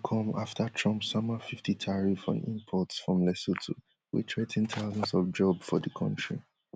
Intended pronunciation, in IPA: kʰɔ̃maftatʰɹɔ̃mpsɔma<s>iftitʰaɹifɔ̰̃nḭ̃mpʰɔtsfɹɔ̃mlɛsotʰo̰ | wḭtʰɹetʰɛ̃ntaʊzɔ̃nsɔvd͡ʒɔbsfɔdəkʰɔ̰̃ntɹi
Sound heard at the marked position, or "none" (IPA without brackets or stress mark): f